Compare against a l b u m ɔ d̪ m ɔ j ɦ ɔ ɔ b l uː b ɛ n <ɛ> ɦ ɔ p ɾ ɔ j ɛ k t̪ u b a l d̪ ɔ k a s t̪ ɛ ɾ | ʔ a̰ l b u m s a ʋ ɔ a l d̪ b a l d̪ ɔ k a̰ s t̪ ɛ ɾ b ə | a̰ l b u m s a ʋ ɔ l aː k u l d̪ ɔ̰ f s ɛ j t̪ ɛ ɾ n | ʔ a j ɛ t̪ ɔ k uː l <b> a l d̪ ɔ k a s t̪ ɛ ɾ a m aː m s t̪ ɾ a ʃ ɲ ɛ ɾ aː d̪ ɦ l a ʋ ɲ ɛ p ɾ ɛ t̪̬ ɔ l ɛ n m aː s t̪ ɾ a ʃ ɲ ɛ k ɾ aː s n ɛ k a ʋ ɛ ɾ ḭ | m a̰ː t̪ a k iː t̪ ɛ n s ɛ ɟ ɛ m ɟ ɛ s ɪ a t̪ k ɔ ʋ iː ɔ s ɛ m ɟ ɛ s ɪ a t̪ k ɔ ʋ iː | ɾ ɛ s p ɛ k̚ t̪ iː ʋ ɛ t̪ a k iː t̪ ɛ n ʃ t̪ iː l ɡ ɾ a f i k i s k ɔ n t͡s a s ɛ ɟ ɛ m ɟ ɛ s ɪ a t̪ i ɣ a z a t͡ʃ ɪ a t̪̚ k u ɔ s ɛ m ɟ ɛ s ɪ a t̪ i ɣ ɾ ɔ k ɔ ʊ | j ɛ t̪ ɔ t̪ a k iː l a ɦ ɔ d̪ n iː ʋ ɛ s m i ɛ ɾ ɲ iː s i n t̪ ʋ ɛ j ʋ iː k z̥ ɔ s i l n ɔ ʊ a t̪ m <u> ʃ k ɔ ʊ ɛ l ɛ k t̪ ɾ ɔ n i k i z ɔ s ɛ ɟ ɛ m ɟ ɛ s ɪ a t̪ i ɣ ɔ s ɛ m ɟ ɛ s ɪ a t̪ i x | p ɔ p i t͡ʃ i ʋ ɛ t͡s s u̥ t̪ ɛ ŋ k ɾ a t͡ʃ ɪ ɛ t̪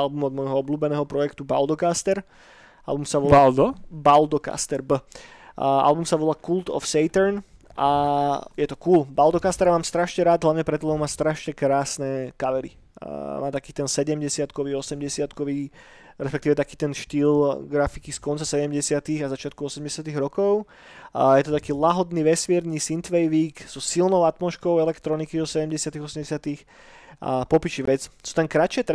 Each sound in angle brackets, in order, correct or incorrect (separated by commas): incorrect, correct, incorrect